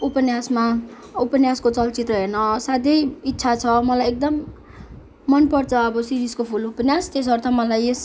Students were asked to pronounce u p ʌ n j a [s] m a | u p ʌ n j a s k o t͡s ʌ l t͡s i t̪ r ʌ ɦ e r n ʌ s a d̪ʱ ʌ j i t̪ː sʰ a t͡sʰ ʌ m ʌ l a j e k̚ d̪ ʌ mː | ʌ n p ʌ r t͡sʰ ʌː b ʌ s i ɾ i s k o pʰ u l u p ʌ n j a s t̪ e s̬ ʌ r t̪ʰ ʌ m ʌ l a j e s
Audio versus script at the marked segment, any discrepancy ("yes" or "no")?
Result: no